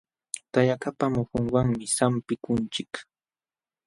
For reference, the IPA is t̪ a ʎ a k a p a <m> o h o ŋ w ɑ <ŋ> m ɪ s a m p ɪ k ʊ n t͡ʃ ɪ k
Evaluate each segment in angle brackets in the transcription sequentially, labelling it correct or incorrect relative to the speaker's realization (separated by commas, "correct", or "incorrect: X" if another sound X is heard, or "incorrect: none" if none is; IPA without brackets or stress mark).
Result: correct, correct